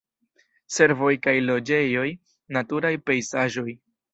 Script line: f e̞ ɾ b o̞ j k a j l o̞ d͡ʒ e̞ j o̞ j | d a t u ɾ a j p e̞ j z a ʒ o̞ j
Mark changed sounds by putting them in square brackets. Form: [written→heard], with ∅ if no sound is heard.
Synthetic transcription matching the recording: [f→s] e̞ ɾ [b→v] o̞ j k a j l o̞ d͡ʒ e̞ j o̞ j | [d→n] a t u ɾ a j p e̞ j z a ʒ o̞ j